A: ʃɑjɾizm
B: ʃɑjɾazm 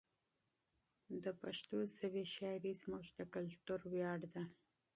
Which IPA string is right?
A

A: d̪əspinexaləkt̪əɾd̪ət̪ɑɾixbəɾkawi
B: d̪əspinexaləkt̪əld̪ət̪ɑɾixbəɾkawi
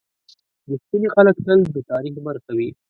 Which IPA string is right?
B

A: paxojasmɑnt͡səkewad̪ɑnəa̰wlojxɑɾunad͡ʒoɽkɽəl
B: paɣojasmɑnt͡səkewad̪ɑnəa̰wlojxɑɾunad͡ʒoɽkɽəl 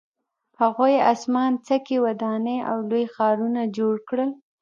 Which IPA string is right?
B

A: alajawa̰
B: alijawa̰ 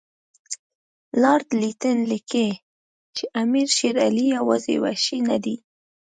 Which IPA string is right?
B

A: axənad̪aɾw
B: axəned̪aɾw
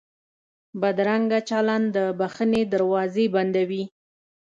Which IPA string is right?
B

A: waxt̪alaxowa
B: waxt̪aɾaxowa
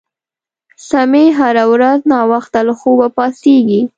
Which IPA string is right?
A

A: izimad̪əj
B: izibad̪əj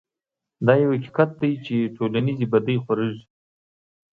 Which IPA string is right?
B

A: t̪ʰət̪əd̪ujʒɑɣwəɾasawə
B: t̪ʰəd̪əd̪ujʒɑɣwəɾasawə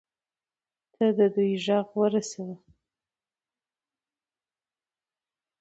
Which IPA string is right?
B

